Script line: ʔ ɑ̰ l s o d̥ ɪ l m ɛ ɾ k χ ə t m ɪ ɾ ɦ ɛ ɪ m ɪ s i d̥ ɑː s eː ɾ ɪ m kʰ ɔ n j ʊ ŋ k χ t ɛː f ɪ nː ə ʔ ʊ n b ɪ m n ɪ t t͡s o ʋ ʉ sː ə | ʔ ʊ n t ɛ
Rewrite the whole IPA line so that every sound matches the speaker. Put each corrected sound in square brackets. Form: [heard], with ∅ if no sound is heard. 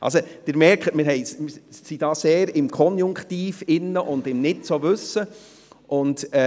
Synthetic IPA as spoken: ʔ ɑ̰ l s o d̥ ɪ [ɾ] m ɛ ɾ k χ ə t m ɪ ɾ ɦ ɛ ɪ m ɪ s i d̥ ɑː s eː ɾ ɪ m kʰ ɔ n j ʊ ŋ k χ t [iː] f ɪ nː ə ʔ ʊ n [d] ɪ m n ɪ t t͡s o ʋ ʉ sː ə | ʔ ʊ n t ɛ